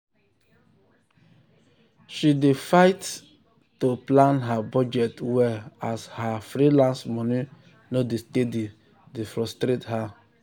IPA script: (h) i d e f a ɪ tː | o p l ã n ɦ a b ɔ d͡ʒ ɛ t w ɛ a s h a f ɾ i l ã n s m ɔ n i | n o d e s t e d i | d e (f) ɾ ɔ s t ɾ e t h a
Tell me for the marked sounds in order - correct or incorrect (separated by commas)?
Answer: incorrect, correct